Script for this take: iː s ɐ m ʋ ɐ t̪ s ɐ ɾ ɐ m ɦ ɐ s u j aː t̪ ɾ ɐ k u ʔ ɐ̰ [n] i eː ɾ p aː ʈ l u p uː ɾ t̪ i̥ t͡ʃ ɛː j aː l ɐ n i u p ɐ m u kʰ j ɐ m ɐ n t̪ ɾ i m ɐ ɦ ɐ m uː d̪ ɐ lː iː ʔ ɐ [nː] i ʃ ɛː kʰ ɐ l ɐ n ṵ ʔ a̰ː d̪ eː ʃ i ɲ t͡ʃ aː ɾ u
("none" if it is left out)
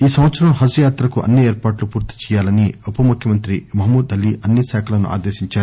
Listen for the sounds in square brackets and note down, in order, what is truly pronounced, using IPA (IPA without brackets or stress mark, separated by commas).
nː, nː